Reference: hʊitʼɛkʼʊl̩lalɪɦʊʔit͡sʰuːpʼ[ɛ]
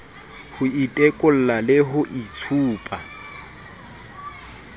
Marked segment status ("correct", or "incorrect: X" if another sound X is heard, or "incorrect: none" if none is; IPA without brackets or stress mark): incorrect: a